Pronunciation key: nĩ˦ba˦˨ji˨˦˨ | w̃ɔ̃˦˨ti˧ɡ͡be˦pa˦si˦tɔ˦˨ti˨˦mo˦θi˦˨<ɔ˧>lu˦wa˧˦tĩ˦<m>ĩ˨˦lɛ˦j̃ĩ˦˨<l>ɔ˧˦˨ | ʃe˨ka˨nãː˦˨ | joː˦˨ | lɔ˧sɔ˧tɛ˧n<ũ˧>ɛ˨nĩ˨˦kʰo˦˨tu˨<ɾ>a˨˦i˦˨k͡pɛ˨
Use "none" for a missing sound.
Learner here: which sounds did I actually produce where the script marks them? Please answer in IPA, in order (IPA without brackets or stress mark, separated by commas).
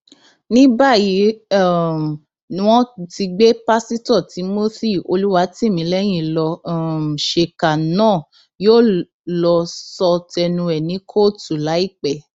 o˧, m, l, ũ˧, l